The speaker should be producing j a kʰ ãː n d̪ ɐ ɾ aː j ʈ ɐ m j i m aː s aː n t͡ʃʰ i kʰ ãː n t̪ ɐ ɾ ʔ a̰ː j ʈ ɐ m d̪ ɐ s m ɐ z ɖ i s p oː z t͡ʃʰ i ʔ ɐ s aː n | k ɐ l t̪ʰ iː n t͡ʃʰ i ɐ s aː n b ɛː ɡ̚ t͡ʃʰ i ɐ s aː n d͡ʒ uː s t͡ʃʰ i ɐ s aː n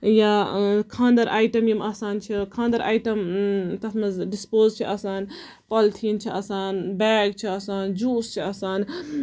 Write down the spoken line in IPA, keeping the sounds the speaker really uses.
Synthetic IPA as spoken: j a kʰ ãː n d̪ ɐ ɾ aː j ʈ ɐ m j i m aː s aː n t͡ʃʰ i kʰ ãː n d̪ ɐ ɾ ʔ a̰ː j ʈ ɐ m t̪ ɐ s m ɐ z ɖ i s p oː z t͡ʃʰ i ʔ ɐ s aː n | p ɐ l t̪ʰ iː n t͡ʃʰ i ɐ s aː n b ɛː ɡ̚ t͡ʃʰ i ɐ s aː n d͡ʒ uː s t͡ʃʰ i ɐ s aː n